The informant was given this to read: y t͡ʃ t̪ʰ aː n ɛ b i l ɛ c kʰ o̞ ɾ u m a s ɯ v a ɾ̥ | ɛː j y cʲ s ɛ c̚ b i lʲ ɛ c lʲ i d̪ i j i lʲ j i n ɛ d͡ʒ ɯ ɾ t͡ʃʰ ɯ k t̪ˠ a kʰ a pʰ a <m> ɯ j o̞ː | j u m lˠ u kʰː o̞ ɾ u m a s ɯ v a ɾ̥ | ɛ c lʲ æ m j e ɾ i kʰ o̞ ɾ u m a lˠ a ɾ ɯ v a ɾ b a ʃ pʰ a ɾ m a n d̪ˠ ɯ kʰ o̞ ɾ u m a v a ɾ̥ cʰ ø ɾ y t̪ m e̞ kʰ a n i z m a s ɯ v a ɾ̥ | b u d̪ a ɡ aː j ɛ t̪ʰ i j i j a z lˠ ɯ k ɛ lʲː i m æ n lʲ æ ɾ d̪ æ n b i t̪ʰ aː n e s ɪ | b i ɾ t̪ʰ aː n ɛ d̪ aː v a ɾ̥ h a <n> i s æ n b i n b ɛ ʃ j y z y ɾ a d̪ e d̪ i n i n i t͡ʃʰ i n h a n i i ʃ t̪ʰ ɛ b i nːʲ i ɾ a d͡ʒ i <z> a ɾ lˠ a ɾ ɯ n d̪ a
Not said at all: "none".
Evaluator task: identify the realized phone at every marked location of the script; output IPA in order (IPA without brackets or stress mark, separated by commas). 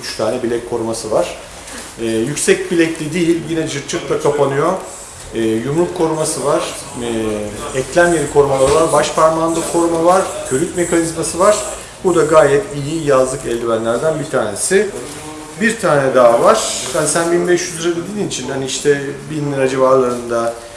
n, n, v